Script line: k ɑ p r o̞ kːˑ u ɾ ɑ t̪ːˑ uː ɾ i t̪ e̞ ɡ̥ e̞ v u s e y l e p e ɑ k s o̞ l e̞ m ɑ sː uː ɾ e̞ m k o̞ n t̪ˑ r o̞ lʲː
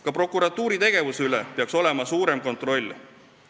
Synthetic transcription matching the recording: k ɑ p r o̞ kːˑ u ɾ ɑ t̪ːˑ uː ɾ i t̪ e̞ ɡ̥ e̞ v u s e y l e p e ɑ k s o̞ l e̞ m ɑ s uː ɾ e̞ m k o̞ n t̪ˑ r o̞ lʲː